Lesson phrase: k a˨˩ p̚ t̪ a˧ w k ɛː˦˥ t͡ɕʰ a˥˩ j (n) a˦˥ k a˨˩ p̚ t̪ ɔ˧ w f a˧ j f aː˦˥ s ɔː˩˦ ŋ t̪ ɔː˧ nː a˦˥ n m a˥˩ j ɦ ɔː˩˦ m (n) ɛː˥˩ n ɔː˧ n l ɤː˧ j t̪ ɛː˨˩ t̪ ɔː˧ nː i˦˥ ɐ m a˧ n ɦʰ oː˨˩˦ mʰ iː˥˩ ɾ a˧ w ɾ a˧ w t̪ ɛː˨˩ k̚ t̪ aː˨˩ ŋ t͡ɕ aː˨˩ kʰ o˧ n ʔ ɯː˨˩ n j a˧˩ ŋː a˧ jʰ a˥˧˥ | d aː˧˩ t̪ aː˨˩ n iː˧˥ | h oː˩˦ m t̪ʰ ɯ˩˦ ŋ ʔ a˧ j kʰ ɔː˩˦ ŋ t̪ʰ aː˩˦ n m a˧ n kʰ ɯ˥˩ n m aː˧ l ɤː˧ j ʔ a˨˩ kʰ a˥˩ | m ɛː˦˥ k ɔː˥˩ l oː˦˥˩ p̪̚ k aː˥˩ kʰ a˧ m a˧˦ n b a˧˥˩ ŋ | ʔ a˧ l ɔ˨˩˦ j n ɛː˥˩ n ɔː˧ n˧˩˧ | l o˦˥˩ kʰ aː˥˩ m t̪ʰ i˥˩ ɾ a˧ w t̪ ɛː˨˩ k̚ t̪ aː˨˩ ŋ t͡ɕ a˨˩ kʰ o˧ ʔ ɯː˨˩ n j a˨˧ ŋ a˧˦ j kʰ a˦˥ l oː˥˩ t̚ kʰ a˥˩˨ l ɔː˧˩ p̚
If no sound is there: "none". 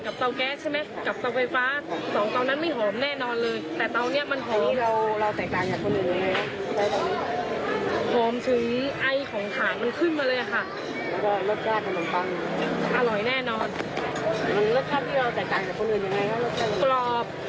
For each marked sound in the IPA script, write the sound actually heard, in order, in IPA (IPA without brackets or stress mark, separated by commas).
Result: m, n